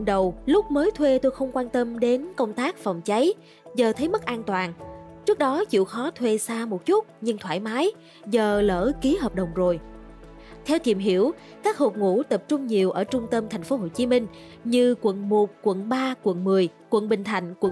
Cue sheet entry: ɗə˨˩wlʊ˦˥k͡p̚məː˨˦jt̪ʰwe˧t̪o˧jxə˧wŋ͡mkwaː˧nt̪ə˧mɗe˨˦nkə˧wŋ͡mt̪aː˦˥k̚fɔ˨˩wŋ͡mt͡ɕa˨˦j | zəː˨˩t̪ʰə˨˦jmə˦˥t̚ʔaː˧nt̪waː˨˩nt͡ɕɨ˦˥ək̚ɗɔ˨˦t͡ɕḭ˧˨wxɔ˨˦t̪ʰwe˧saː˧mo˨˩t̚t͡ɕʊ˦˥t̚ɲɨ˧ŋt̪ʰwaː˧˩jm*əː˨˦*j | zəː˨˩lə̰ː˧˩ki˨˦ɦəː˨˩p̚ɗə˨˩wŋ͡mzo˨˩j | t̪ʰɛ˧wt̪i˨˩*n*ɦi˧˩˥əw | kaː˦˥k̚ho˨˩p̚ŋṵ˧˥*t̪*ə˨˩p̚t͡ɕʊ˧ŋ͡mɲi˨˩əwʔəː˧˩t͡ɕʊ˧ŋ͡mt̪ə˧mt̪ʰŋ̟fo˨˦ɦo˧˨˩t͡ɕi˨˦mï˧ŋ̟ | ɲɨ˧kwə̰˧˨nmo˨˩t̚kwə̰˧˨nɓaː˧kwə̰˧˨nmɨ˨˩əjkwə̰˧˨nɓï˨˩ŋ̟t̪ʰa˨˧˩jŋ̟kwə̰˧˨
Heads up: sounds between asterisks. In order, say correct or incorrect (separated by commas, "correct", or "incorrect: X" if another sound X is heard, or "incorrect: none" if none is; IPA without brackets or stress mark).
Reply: incorrect: aː˨˦, incorrect: m, correct